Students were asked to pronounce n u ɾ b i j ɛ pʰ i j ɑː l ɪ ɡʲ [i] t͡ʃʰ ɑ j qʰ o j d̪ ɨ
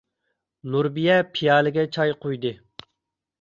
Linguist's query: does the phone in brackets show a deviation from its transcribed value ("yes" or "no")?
yes